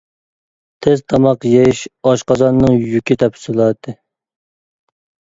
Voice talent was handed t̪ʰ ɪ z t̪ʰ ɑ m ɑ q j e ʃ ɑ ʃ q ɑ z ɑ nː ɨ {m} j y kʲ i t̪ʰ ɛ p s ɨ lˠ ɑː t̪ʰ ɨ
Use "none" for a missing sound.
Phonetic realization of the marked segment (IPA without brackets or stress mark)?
ŋ